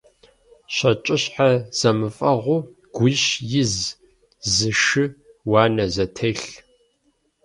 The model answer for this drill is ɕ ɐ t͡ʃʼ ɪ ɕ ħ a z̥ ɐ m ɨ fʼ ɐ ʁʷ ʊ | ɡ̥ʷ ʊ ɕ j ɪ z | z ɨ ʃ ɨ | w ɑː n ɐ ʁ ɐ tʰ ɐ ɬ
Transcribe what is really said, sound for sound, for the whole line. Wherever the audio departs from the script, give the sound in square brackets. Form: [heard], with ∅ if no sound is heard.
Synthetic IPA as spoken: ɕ ɐ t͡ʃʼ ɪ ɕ ħ a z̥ ɐ m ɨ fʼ ɐ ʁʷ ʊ | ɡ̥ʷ ʊ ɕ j ɪ z | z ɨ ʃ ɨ | w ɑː n ɐ [z] ɐ tʰ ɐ ɬ